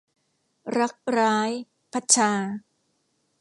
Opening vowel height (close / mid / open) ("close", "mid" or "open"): open